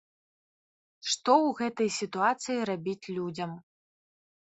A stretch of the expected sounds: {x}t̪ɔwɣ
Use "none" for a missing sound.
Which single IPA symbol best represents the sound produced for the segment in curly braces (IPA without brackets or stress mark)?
ʂ